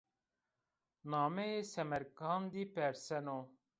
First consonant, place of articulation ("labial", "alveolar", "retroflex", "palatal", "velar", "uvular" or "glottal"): alveolar